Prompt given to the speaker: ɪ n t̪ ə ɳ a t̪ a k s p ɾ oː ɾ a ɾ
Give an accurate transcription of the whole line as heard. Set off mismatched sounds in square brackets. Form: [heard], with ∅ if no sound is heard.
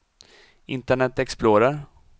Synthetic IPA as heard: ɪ n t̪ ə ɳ [ɛ] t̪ [ɛ] k s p [l] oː ɾ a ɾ